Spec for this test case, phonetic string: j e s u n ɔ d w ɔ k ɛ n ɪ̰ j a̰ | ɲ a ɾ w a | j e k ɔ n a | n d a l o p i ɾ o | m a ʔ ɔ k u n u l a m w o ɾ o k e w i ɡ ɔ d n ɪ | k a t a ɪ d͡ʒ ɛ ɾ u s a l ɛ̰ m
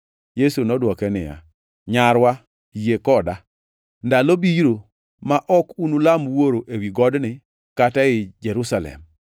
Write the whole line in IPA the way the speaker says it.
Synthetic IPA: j e s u n ɔ d w ɔ k ɛ n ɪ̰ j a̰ | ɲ a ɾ w a | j e k ɔ d a | n d a l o b i ɾ o | m a ʔ ɔ k u n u l a m w o ɾ o ʔ e w i ɡ ɔ d n ɪ | k a t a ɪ d͡ʒ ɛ ɾ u s a l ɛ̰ m